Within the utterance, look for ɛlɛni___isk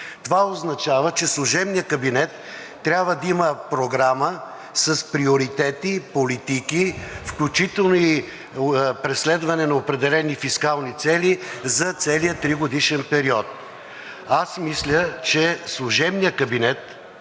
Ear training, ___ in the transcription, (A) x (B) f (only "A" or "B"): B